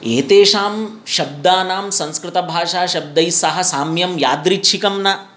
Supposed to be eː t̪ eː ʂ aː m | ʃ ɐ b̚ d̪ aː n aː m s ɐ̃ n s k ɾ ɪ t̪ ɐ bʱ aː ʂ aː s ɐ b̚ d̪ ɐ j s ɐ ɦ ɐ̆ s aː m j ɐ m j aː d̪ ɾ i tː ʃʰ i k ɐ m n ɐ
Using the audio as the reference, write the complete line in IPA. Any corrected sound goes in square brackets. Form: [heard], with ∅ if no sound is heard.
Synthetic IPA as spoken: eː t̪ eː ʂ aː m | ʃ ɐ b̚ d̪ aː n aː m s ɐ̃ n s k ɾ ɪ t̪ ɐ bʱ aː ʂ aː [ʃ] ɐ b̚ d̪ ɐ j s ɐ ɦ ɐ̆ s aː m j ɐ m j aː d̪ ɾ i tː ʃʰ i k ɐ m n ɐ